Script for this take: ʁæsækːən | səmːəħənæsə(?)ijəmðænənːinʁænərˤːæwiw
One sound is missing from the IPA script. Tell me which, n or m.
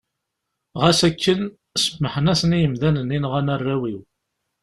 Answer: n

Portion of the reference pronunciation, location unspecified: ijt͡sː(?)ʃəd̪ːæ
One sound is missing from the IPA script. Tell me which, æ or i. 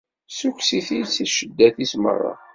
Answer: i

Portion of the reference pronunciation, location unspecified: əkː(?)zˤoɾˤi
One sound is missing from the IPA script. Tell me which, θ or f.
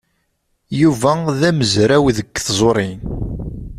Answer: θ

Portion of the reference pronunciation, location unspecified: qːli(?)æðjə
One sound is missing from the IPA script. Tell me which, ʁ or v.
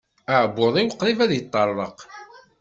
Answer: v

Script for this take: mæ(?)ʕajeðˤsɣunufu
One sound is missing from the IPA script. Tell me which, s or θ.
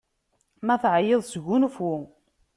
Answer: θ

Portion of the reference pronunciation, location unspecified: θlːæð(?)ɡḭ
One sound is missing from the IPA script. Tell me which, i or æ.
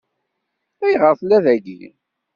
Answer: æ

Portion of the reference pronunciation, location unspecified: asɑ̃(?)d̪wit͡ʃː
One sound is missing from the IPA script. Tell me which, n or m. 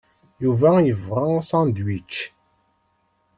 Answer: n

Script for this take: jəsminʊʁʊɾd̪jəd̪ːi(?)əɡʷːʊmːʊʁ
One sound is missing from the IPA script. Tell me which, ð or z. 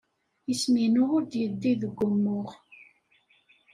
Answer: ð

